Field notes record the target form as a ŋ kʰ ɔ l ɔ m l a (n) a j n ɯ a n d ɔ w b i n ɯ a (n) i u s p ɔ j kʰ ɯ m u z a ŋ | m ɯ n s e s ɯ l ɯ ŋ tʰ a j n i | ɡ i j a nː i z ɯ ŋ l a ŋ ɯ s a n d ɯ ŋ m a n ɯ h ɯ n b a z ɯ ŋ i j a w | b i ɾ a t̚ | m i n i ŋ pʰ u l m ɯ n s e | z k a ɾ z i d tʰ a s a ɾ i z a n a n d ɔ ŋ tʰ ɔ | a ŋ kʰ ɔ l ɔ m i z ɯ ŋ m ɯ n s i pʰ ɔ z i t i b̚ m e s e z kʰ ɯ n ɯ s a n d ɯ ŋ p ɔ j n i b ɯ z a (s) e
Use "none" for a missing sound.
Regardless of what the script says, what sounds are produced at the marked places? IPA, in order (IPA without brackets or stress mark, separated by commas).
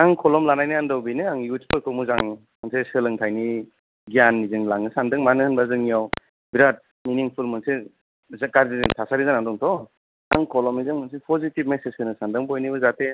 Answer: n, ŋ, t